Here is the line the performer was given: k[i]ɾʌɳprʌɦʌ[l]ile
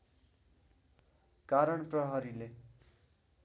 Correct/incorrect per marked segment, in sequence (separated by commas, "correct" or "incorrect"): incorrect, incorrect